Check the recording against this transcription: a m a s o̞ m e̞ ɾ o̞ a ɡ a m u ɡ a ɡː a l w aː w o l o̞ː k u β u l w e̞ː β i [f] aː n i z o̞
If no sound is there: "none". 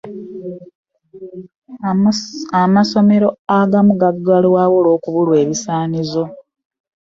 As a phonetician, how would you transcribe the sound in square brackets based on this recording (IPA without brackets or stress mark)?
s